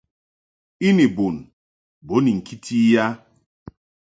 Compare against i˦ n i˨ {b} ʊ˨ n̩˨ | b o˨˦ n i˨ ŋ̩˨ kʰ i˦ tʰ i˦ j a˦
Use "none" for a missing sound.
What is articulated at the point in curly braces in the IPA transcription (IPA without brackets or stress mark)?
b